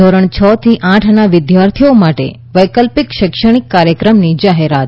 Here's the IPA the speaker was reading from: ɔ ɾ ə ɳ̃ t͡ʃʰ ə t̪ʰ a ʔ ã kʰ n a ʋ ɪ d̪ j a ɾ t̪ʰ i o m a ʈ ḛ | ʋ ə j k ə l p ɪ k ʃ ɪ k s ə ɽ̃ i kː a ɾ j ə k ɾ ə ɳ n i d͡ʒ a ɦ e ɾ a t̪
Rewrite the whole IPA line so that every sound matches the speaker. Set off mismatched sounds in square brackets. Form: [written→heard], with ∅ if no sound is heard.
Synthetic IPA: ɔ ɾ ə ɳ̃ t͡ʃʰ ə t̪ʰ [a→i] ʔ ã [kʰ→ʈʰ] n a ʋ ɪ d̪ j a ɾ t̪ʰ i o m a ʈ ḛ | ʋ ə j k ə l p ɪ k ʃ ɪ k [s→ʃ] ə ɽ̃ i kː a ɾ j ə k ɾ ə [ɳ→m] n i d͡ʒ a ɦ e ɾ a t̪